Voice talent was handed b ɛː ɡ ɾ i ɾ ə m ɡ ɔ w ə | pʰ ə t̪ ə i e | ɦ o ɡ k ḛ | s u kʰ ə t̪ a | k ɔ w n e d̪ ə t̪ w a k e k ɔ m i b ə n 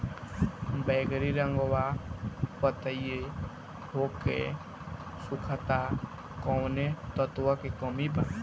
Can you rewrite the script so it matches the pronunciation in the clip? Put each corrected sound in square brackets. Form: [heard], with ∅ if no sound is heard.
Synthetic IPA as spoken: b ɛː ɡ ɾ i ɾ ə [ŋ] ɡ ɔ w [a] | [p] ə t̪ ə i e | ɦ o [∅] k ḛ | s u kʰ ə t̪ a | k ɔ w n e [t̪] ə t̪ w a k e k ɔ m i b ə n